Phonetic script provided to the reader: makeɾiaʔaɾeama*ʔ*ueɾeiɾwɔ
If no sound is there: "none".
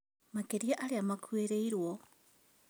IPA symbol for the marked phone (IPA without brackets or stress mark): k